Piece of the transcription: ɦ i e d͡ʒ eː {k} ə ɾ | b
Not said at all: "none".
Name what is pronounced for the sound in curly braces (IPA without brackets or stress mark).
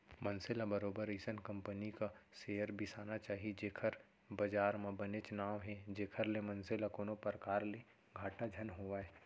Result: kʰ